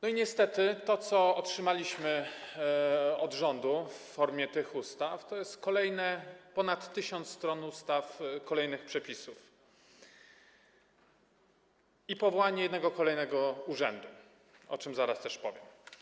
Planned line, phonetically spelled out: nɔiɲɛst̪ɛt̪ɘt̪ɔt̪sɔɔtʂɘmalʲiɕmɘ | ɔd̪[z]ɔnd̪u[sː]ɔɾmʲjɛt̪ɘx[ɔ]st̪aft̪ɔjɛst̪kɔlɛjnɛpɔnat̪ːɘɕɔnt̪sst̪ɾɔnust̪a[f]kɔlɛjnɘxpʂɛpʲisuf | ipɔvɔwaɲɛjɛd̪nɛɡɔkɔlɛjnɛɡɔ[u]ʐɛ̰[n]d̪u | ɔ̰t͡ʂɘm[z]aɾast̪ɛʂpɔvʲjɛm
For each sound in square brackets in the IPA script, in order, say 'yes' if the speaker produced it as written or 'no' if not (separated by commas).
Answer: no, no, no, yes, yes, yes, yes